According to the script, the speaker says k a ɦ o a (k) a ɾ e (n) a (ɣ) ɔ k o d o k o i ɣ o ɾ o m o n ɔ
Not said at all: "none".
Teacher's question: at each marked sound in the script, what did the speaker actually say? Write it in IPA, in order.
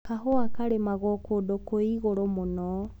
k, m, ɣ

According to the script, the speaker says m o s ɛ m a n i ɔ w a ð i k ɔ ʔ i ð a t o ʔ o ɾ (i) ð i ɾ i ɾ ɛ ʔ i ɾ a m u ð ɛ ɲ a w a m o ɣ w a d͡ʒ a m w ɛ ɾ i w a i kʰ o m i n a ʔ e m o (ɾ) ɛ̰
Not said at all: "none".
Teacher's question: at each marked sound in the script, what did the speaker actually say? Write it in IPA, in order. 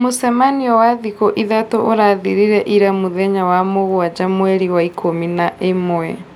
a, none

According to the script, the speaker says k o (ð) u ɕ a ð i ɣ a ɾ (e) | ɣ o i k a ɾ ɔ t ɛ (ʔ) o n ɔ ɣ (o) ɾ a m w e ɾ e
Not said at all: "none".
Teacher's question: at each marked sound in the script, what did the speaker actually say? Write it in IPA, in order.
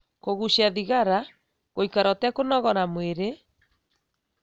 ɣ, a, k, ɔ

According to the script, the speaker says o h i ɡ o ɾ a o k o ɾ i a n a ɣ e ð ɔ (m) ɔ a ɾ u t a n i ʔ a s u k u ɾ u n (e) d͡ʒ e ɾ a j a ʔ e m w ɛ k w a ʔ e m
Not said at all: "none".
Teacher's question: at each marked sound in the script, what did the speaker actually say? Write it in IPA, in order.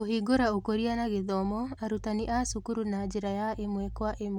m, a

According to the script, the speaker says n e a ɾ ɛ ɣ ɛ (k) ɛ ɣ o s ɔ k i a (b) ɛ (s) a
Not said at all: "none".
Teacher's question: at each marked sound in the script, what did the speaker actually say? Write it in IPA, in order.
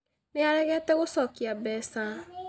t, b, s

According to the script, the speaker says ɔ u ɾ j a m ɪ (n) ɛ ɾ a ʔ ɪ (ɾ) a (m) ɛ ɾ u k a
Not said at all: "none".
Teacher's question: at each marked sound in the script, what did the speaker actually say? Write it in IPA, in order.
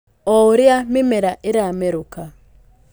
m, ɾ, m

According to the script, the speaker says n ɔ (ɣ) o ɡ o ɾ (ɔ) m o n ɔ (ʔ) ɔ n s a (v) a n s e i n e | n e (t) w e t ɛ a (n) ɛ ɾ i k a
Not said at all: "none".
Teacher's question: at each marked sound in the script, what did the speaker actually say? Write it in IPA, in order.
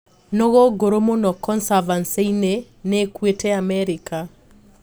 ɣ, o, k, v, k, m

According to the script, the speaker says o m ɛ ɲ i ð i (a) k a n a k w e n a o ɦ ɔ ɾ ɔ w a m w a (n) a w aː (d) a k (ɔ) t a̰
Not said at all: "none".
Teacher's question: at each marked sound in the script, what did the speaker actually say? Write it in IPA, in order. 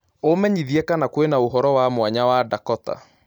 ɛ, ɲ, d, ɔ

